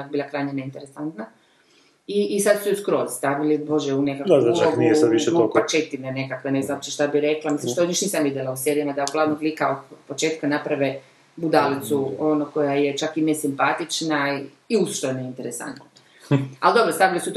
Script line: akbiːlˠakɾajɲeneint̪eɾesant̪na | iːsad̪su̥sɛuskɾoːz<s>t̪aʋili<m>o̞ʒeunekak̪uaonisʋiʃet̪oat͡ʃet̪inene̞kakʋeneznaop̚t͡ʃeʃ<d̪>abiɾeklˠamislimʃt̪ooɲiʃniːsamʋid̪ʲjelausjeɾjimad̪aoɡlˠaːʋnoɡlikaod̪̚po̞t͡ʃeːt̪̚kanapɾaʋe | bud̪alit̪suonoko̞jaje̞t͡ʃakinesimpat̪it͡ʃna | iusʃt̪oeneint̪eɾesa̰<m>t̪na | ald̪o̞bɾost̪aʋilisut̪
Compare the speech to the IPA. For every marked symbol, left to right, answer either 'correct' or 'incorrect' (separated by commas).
correct, incorrect, incorrect, incorrect